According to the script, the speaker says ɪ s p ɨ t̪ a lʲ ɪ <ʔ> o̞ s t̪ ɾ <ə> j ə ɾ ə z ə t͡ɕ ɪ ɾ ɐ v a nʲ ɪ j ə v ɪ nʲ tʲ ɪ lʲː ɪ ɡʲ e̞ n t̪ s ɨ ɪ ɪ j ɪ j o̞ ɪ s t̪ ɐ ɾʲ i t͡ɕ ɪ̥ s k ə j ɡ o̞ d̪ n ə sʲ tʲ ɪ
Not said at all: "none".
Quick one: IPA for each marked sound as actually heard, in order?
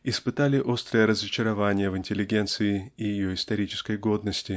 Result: ʔ, ə

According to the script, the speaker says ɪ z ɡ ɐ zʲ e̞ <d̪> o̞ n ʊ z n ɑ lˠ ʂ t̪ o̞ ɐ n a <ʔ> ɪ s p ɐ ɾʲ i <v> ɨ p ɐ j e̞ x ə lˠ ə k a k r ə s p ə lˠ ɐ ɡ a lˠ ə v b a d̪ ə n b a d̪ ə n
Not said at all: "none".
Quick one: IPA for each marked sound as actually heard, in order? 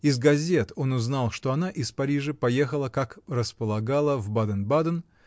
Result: t̪, ʔ, ʐ

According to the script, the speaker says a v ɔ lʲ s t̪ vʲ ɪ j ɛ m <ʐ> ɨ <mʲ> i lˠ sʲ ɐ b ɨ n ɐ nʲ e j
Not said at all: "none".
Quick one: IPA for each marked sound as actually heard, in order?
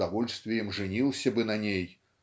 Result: ʐ, nʲ

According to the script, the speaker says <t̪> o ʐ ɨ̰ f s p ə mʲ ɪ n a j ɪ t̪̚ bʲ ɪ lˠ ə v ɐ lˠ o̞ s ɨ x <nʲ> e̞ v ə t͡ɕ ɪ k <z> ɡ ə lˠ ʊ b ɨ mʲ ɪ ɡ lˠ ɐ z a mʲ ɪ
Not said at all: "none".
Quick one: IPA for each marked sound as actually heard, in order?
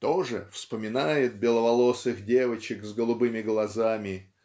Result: t̪, dʲ, z

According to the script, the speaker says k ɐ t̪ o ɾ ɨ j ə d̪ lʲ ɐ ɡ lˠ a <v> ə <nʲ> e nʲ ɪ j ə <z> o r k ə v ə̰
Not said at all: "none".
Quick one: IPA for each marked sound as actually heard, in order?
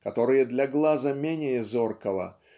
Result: z, mʲ, z

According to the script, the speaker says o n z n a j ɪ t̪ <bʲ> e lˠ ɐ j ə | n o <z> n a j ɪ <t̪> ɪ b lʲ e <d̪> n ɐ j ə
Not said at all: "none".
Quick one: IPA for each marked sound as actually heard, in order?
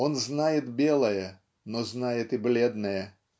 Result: bʲ, z, t̪, d̪

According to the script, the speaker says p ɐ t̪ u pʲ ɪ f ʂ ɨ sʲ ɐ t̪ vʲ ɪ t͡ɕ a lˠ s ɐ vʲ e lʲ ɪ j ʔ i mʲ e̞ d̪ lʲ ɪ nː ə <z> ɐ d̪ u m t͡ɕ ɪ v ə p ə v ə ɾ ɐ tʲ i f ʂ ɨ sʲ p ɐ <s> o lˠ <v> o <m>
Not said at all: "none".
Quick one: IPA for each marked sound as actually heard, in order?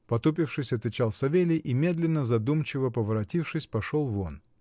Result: z, ʂ, v, n

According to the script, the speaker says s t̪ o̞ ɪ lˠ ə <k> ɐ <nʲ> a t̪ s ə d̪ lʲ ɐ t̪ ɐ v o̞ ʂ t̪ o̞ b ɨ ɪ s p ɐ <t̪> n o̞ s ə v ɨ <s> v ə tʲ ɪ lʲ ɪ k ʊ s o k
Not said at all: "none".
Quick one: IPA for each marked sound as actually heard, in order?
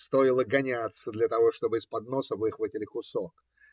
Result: ɡ, nʲ, d̪, x

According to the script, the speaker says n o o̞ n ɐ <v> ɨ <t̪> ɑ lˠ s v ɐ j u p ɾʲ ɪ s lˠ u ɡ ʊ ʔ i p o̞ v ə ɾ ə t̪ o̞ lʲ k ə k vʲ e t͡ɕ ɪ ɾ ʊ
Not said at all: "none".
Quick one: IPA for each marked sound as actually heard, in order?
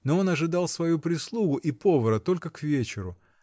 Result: ʐ, d̪

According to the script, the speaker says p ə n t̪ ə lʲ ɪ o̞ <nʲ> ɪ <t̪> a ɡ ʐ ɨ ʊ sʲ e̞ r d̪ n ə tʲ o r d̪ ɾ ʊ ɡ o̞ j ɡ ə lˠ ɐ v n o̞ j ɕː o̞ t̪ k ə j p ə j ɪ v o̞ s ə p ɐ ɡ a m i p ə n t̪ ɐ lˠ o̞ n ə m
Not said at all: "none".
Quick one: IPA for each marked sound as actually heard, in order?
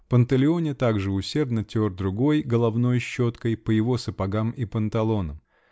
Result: nʲ, t̪

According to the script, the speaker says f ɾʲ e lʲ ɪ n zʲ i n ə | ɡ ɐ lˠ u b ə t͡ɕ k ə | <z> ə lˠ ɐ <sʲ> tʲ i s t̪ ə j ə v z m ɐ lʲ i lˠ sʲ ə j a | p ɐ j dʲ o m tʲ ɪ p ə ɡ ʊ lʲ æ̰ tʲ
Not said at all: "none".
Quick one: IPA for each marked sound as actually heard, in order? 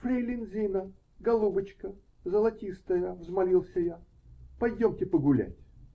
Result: z, none

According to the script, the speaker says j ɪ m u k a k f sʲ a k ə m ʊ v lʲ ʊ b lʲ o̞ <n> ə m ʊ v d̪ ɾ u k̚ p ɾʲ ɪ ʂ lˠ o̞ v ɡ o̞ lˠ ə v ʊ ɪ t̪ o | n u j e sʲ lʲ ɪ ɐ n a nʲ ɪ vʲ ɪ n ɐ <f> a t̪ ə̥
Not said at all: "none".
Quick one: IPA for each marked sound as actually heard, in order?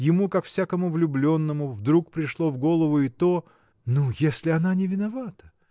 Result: nː, v

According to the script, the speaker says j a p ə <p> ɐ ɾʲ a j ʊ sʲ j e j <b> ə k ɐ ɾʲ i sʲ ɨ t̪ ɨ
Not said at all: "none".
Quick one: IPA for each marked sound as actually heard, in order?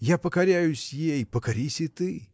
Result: k, p

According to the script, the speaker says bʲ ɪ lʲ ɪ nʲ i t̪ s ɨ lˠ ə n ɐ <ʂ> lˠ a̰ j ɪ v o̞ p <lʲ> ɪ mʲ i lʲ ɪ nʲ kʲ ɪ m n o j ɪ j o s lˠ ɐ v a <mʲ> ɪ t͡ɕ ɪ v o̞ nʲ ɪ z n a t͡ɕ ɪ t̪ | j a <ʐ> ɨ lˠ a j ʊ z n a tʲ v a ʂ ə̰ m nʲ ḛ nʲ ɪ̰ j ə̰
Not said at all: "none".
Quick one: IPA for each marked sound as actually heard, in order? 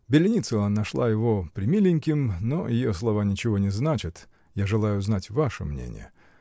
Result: ʂ, ɾʲ, nʲ, ʐ

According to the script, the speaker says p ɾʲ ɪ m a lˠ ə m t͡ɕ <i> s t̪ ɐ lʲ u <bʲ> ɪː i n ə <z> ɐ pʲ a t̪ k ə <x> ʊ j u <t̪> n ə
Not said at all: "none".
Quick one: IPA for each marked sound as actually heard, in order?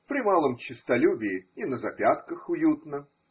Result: ɪ, bʲ, z, x, t̪

